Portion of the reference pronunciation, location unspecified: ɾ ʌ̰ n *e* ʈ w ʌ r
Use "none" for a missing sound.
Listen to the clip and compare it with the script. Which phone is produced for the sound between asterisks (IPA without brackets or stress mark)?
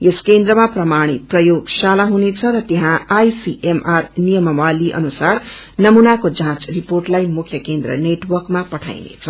e